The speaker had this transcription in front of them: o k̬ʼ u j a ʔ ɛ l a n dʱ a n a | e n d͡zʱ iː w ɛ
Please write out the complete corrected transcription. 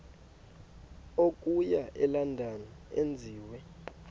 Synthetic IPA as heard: o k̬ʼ u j a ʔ ɛ l a n dʱ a n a | e n d͡zʱ iː w ɛ